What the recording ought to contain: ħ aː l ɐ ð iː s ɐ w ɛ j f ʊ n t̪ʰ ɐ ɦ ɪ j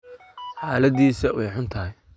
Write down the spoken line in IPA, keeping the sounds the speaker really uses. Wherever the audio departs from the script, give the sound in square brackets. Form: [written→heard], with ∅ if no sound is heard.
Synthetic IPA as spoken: ħ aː l ɐ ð iː s ɐ w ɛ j [f→ħ] ʊ n t̪ʰ ɐ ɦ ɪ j

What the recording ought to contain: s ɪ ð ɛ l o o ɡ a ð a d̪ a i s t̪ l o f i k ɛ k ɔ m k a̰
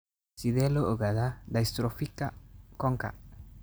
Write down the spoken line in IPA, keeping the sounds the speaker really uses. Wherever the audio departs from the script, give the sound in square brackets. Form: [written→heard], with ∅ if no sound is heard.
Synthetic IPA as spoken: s [ɪ→i] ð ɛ l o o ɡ a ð a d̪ a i s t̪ [l→ɾ] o f i k [ɛ→a] k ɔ [m→ŋ] k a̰

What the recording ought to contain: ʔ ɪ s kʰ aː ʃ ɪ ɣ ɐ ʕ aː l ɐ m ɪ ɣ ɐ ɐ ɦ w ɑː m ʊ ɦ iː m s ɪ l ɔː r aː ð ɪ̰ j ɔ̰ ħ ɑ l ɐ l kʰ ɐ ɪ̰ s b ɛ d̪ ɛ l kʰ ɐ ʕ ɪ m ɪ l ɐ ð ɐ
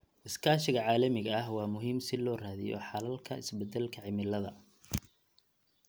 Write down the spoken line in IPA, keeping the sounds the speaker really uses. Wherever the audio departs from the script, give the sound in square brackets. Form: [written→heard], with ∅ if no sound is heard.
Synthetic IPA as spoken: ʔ ɪ s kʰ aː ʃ ɪ ɣ ɐ ʕ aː l ɐ m ɪ ɣ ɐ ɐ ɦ w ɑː m ʊ ɦ iː m s ɪ l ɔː r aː ð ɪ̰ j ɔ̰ ħ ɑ l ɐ l kʰ ɐ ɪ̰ s b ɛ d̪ ɛ l kʰ ɐ ʕ ɪ m ɪ l ɐ ð ɐ

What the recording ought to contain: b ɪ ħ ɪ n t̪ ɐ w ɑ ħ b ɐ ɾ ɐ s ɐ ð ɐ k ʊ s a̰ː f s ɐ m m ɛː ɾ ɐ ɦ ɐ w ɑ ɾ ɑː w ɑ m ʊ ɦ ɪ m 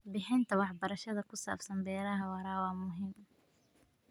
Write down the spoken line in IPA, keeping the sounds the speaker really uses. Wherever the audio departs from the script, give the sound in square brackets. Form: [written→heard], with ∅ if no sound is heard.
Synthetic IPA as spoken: b ɪ ħ ɪ n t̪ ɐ w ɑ ħ b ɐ ɾ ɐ [s→ʃ] ɐ ð ɐ k ʊ s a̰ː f s ɐ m [m→b] ɛː ɾ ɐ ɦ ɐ w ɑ ɾ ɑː w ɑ m ʊ ɦ ɪ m

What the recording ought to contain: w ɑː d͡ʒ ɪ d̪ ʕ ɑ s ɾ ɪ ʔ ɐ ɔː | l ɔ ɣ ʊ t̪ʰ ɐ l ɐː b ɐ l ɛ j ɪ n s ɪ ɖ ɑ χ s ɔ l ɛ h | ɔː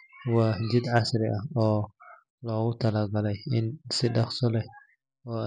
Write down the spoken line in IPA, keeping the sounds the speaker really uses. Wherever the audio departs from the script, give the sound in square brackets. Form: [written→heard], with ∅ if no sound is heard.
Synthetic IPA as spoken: w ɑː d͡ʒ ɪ d̪ ʕ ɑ s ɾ ɪ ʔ ɐ ɔː | l [ɔ→ɔː] ɣ ʊ t̪ʰ ɐ l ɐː [b→ɡ] ɐ l ɛ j ɪ n s ɪ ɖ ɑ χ s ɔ l ɛ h | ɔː

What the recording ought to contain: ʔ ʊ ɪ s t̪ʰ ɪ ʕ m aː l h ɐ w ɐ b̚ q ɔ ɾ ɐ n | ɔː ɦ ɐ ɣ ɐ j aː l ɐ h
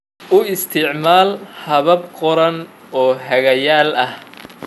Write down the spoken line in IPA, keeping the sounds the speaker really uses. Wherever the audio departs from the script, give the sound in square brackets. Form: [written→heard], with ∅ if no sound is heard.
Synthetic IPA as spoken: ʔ ʊ ɪ s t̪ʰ ɪ ʕ m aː l h ɐ [w→β] ɐ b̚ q ɔ ɾ ɐ n | ɔː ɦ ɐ ɣ ɐ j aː l ɐ h

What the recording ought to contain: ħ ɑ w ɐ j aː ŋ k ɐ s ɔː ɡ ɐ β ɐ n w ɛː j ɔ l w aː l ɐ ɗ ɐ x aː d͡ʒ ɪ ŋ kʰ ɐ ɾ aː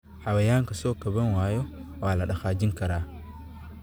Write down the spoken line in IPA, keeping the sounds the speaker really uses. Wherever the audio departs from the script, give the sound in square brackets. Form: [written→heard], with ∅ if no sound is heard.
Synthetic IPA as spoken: ħ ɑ w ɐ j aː ŋ k ɐ s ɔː [ɡ→k] ɐ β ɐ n w [ɛː→aː] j ɔ [l→∅] w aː l ɐ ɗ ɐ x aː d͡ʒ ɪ ŋ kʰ ɐ ɾ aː

